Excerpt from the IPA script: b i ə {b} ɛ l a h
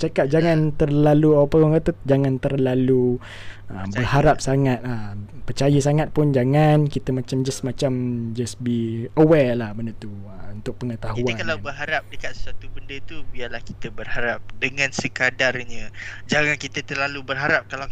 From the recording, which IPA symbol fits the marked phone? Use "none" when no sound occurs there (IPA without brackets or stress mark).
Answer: w